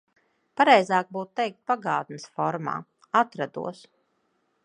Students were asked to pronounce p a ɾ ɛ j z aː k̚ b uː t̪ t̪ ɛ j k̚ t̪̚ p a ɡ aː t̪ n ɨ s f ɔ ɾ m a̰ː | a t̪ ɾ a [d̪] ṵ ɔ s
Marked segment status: correct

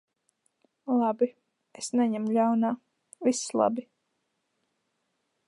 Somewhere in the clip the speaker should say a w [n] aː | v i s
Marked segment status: correct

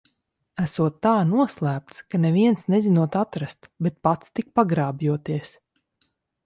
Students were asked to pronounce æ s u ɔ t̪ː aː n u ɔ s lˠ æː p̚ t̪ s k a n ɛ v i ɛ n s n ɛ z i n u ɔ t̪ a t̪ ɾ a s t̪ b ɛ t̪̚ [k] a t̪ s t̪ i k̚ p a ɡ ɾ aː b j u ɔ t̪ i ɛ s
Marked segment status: incorrect: p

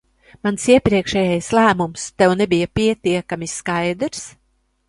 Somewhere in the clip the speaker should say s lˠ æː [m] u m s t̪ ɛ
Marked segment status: correct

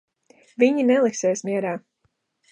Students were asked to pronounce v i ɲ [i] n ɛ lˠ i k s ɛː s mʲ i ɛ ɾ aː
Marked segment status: correct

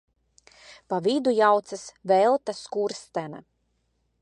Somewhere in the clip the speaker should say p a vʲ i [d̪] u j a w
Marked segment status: correct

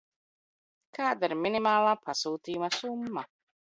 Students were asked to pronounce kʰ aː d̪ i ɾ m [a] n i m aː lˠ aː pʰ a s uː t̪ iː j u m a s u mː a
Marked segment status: incorrect: i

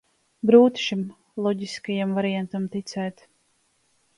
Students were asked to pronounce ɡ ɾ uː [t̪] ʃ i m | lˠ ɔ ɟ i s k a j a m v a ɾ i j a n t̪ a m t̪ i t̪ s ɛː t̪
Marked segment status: correct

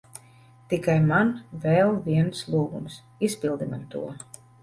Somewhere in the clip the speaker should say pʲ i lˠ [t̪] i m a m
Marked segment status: incorrect: d̪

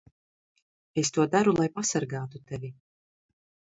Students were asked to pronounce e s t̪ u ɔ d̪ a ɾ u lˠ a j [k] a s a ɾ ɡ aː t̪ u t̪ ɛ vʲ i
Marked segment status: incorrect: p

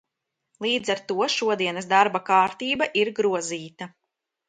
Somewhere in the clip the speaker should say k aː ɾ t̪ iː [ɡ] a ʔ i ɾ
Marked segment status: incorrect: b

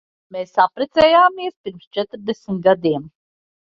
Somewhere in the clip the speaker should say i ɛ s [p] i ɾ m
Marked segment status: correct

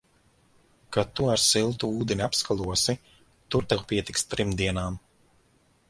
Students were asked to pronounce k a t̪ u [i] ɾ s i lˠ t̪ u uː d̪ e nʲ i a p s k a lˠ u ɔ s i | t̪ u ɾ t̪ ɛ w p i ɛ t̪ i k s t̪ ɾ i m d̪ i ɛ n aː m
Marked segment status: incorrect: a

